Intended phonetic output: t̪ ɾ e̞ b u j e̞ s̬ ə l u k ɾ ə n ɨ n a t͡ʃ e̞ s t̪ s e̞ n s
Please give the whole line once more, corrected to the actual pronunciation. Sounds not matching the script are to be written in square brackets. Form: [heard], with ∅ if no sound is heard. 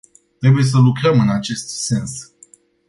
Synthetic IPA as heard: t̪ ɾ e̞ b u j e̞ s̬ ə l u k ɾ ə [m] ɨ n a t͡ʃ e̞ s t̪ s e̞ n s